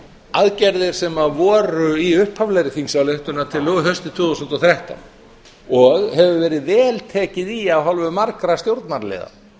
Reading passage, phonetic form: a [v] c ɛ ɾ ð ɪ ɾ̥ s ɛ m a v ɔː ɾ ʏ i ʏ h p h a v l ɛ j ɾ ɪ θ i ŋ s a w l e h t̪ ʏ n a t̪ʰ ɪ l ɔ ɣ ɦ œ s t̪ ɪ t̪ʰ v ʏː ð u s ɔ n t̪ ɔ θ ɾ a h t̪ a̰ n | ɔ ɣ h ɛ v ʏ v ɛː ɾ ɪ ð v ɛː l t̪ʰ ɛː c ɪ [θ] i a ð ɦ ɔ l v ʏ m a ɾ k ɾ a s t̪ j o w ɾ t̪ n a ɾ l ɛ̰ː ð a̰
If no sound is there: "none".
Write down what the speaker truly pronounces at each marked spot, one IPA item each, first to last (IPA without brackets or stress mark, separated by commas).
ð, ð